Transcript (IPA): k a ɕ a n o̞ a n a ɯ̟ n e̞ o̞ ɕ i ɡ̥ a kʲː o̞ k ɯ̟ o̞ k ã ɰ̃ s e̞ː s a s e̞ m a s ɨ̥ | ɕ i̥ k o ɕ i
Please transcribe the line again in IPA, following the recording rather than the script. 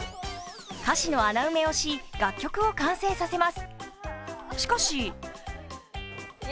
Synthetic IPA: k a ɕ i n o̞ a n a ɯ̟ m e̞ o̞ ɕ i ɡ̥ a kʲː o̞ k ɯ̟ o̞ k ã ɰ̃ s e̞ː s a s e̞ m a s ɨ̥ | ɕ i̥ k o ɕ i